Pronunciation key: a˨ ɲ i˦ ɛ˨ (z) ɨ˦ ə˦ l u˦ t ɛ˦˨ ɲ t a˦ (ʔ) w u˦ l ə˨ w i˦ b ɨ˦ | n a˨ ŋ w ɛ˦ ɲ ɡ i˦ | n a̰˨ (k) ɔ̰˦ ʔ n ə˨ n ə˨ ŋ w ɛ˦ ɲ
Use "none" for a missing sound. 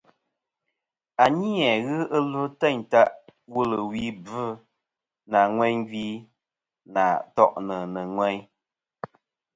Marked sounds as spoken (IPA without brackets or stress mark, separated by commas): ɣ, ʔ, t